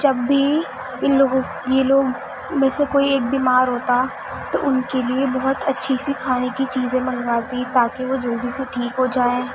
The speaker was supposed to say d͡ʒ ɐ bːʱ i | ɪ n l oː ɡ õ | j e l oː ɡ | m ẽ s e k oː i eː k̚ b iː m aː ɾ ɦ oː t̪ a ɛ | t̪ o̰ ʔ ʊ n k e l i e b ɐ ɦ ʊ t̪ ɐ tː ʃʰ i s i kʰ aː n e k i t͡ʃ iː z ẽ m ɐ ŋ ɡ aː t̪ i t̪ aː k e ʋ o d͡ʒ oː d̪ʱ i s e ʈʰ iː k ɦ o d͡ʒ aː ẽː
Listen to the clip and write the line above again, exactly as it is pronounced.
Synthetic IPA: d͡ʒ ɐ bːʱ i | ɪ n l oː ɡ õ | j e l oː ɡ | m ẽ s e k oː i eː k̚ b iː m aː ɾ ɦ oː t̪ a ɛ | t̪ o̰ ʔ ʊ n k e l i e b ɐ ɦ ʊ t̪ ɐ tː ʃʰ i s i kʰ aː n e k i t͡ʃ iː z ẽ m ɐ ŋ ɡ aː t̪ i t̪ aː k e ʋ o d͡ʒ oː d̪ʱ i s e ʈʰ iː k ɦ o d͡ʒ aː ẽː